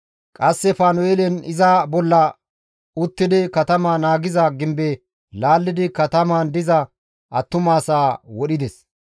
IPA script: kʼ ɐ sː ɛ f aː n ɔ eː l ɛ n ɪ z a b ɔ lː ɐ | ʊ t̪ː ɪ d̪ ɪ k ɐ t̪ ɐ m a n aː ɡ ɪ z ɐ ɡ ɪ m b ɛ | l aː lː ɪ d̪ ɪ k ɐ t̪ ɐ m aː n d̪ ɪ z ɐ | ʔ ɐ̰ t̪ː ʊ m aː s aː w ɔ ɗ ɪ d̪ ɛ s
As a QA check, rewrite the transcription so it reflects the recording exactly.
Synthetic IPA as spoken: kʼ ɐ sː ɛ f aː n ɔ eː l ɛ n ɪ z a b ɔ lː ɐ | ʊ t̪ː ɪ d̪ ɪ k ɐ t̪ ɐ m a n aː ɡ ɪ z ɐ ɡ ɪ m b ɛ | l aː lː ɪ d̪ ɪ k ɐ t̪ ɐ m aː n d̪ ɪ z ɐ | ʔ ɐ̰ t̪ː ʊ m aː s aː w ɔ ɗ ɪ d̪ ɛ s

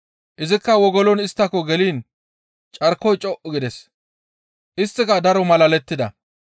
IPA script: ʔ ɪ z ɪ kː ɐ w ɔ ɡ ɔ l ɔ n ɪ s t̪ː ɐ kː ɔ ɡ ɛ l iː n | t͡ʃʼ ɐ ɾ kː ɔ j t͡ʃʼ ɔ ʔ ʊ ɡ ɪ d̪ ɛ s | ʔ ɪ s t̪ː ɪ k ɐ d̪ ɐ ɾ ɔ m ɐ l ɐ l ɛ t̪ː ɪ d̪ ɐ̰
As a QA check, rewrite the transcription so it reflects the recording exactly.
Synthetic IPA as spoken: ʔ ɪ z ɪ kː ɐ w ɔ ɡ ɔ l ɔ n ɪ s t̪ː ɐ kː ɔ ɡ ɛ l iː n | t͡ʃʼ ɐ ɾ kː ɔ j t͡ʃʼ ɔ ʔ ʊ ɡ ɪ d̪ ɛ s | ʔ ɪ s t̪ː ɪ k ɐ d̪ ɐ ɾ ɔ m ɐ l ɐ l ɛ t̪ː ɪ d̪ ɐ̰

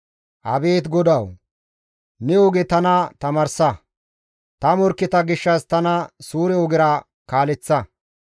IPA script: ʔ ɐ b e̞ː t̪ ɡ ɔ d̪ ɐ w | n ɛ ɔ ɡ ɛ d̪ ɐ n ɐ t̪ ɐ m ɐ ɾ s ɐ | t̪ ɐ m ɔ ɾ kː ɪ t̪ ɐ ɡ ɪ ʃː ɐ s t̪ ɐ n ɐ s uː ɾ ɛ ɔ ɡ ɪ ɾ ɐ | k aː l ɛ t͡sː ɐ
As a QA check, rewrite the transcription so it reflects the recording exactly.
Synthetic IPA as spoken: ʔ ɐ b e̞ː t̪ ɡ ɔ d̪ ɐ w | n ɛ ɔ ɡ ɛ t̪ ɐ n ɐ t̪ ɐ m ɐ ɾ s ɐ | t̪ ɐ m ɔ ɾ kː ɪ t̪ ɐ ɡ ɪ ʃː ɐ s t̪ ɐ n ɐ s uː ɾ ɛ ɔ ɡ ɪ ɾ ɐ | k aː l ɛ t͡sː ɐ

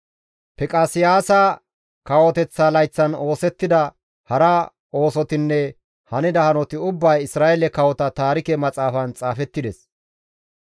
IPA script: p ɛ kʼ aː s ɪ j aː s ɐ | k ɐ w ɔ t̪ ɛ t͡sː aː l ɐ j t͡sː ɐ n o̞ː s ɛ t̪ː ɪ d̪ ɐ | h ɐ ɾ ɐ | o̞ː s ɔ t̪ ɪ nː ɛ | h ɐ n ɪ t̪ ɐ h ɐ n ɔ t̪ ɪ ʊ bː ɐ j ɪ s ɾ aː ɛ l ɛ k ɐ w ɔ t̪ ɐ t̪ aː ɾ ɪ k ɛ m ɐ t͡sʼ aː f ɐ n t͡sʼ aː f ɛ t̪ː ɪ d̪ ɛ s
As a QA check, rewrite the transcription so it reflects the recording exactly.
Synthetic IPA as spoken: p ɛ kʼ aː s ɪ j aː s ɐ | k ɐ w ɔ t̪ ɛ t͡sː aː l ɐ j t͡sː ɐ n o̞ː s ɛ t̪ː ɪ d̪ ɐ | h ɐ ɾ ɐ | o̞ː s ɔ t̪ ɪ nː ɛ | h ɐ n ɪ d̪ ɐ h ɐ n ɔ t̪ ɪ ʊ bː ɐ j ɪ s ɾ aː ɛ l ɛ k ɐ w ɔ t̪ ɐ t̪ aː ɾ ɪ k ɛ m ɐ t͡sʼ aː f ɐ n t͡sʼ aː f ɛ t̪ː ɪ d̪ ɛ s

